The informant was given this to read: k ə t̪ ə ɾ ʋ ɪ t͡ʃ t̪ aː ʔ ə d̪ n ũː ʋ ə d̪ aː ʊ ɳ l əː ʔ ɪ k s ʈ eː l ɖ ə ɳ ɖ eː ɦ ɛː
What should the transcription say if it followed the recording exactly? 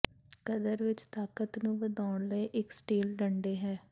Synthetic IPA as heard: k ə d̪ ə ɾ ʋ ɪ t͡ʃ t̪ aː k ə t̪ n ũː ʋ ə d̪ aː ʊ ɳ l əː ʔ ɪ k s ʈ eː l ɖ ə ɳ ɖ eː ɦ ɛː